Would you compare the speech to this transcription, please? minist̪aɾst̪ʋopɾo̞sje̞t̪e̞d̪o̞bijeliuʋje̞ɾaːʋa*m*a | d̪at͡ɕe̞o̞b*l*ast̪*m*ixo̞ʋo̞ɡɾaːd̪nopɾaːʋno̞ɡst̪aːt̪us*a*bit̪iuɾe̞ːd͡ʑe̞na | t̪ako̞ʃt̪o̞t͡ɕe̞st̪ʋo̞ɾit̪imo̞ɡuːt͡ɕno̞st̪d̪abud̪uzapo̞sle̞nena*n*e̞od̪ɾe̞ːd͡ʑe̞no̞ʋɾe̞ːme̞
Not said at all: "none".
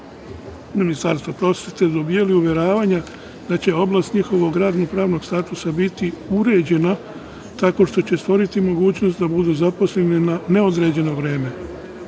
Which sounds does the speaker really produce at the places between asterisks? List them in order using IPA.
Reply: ɲ, l, ɲ, a, n

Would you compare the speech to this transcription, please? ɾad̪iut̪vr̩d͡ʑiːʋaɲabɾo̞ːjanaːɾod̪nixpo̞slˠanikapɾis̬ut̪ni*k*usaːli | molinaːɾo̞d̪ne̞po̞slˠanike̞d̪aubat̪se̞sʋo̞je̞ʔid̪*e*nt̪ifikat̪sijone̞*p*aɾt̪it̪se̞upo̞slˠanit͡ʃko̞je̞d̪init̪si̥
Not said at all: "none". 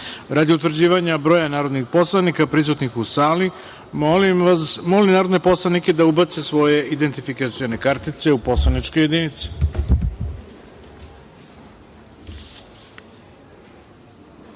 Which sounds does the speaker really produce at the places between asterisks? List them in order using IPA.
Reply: x, e, k

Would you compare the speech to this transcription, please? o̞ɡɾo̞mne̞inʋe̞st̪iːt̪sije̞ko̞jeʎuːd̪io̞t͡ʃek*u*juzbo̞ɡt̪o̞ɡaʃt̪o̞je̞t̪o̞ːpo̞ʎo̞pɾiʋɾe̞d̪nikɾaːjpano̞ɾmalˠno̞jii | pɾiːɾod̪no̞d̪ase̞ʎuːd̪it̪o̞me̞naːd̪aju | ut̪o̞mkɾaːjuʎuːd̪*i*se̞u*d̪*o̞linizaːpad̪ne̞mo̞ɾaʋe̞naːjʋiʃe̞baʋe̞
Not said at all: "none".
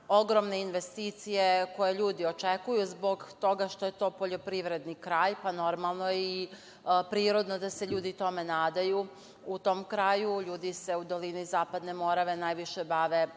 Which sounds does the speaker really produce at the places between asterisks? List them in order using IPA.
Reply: u, i, d̪

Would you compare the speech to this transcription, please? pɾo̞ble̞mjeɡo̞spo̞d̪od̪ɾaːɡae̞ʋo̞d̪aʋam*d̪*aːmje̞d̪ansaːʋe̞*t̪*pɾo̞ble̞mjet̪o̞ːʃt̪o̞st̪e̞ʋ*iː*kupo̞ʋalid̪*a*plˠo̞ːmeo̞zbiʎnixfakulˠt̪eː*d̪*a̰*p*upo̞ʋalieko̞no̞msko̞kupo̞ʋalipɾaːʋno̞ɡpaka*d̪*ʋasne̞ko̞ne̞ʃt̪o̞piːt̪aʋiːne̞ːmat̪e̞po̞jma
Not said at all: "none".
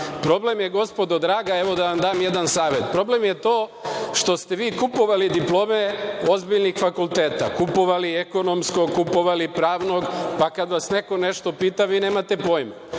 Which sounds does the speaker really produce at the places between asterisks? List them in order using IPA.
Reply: d̪, t̪, iː, i, t̪, k, d̪

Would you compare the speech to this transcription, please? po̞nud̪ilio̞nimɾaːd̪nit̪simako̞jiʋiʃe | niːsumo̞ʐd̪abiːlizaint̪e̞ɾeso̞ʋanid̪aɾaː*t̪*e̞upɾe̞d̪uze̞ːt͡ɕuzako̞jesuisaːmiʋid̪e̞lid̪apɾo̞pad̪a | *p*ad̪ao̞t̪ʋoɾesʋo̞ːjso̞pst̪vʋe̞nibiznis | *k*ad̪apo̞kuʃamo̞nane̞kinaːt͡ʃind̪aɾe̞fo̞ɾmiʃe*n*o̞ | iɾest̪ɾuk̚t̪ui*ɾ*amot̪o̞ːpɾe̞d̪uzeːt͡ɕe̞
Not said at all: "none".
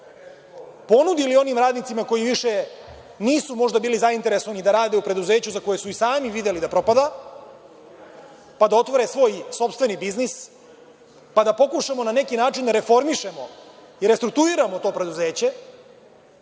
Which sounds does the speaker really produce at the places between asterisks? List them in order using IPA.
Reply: d̪, p, p, m, ɾ

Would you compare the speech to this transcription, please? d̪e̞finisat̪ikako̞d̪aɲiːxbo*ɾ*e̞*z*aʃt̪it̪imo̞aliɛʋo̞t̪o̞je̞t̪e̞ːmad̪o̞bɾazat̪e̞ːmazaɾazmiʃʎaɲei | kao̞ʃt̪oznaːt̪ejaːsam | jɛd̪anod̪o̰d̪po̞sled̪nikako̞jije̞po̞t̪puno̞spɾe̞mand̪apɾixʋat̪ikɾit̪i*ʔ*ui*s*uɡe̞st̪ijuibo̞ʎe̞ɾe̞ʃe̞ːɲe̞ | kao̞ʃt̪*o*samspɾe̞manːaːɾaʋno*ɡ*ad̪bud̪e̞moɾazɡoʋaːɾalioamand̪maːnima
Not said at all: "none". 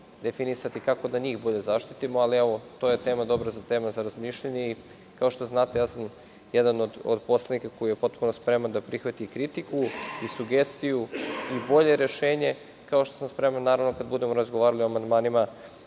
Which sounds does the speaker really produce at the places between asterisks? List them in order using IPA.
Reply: ʎ, z, k, s, o, k

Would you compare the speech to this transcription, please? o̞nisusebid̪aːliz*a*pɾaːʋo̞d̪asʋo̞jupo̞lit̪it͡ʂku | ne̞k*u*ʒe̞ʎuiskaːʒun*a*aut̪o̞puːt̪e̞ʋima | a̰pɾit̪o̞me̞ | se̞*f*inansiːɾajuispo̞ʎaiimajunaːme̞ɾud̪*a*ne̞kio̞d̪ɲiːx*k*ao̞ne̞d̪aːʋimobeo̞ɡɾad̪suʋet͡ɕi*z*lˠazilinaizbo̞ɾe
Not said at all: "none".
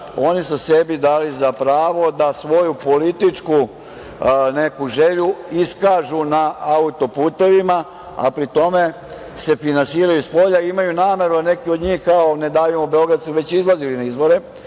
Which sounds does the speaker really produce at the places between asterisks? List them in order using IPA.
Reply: a, u, a, f, a, k, z

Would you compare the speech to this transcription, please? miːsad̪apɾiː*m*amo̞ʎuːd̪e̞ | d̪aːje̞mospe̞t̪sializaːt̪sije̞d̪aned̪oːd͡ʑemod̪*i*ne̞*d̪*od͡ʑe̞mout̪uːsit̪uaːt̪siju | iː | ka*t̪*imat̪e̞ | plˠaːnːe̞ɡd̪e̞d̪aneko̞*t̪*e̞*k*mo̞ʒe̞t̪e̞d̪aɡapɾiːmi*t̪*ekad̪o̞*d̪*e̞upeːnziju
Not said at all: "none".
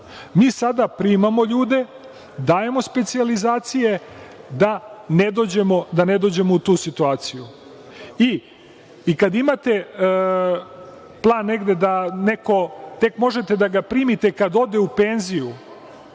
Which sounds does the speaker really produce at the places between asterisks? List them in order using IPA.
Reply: m, a, d̪, d̪, t̪, k, t̪, d̪

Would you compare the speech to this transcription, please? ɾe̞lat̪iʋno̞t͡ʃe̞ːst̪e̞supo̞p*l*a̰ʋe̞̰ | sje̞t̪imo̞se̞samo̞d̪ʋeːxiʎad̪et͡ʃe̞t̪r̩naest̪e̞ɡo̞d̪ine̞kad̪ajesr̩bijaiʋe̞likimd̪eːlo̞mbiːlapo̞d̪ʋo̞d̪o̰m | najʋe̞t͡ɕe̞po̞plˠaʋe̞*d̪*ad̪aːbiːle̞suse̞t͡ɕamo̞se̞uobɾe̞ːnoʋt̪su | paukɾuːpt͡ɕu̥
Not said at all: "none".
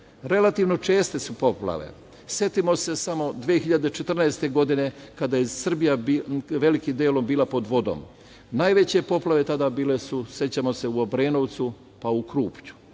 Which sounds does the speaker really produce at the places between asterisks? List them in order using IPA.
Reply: l, t̪

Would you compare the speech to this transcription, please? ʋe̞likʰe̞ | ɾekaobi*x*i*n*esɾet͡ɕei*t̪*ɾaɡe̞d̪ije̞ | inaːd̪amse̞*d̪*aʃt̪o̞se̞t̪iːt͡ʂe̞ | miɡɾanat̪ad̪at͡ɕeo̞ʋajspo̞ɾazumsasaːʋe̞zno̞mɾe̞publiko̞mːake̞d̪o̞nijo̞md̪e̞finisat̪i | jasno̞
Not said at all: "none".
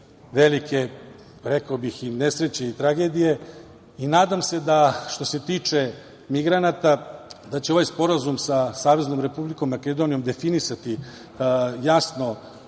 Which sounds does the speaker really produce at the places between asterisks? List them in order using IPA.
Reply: x, n, t̪, d̪

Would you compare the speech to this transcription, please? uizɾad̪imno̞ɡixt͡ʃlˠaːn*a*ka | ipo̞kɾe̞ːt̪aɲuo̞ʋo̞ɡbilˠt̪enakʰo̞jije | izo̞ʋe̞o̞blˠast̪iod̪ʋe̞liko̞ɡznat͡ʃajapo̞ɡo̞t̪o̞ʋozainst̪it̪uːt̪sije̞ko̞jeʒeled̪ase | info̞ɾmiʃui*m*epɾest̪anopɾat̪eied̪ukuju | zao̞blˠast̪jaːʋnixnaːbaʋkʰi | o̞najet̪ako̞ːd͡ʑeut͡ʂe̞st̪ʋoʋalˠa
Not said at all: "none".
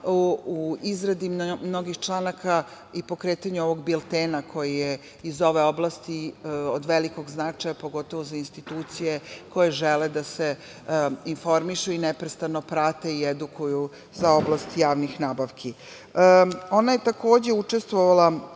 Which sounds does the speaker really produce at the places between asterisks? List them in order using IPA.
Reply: a, n

